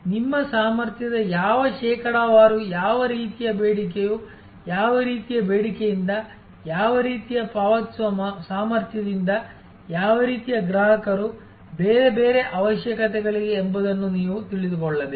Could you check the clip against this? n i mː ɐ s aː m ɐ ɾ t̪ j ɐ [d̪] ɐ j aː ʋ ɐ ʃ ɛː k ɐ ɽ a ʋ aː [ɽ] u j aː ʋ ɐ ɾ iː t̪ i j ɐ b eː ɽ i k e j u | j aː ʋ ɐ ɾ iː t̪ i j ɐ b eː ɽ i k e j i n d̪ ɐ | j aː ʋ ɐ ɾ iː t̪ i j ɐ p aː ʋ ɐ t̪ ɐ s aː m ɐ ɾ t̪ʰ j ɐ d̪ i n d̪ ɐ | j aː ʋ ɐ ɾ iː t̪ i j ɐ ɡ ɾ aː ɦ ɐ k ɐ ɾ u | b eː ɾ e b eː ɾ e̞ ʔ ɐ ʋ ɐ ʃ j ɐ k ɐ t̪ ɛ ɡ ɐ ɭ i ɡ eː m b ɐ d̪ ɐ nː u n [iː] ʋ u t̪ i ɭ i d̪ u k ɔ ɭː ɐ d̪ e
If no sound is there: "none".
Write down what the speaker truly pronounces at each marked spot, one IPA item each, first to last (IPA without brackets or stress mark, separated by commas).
d̪, ɾ, iː